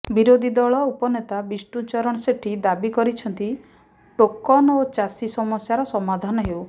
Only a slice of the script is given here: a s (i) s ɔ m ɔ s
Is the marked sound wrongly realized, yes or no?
no